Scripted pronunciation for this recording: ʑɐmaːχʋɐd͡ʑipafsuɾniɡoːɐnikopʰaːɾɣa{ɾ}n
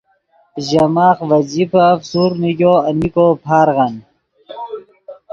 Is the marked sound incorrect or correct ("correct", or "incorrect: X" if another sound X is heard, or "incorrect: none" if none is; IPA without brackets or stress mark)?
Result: incorrect: none